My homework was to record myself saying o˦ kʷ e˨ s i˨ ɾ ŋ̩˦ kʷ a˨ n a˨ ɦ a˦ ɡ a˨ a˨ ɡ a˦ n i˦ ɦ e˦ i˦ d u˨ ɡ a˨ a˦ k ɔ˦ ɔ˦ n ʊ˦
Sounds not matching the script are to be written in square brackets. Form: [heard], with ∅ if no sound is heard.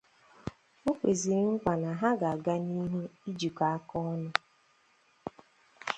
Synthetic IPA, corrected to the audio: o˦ kʷ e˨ [z] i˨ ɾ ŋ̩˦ kʷ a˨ n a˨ ɦ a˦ ɡ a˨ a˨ ɡ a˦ n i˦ ɦ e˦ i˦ [d͡ʒ] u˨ [k] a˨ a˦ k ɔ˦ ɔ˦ n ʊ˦